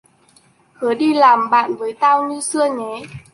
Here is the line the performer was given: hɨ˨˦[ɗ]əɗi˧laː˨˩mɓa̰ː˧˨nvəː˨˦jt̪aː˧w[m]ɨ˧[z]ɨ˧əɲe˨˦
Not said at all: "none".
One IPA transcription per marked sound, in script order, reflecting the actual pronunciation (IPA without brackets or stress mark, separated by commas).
none, ɲ, s